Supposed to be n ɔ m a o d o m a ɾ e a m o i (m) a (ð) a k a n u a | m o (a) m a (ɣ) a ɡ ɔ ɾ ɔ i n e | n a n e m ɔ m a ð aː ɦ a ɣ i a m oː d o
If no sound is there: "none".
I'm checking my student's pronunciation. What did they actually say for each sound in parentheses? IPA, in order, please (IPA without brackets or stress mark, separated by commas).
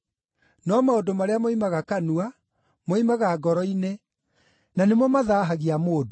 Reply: m, ɣ, i, ɣ